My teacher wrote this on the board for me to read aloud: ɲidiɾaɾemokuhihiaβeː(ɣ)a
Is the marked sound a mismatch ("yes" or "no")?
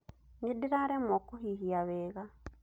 no